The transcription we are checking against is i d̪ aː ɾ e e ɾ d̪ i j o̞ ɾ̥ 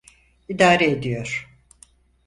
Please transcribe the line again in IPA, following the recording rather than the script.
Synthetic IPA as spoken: i d̪ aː ɾ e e d̪ i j o̞ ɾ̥